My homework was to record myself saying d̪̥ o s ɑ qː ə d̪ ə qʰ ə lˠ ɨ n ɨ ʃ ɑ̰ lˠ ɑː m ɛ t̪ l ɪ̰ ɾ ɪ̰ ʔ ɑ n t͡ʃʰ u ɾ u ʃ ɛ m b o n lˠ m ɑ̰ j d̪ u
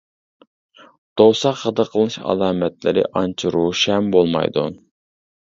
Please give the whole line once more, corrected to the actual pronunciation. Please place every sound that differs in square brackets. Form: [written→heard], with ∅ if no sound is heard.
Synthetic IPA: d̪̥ o s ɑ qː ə d̪ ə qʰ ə lˠ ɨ n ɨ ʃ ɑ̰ lˠ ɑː m ɛ t̪ l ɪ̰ ɾ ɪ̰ ʔ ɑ n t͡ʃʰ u ɾ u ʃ ɛ m b o [n→∅] lˠ m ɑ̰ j d̪ u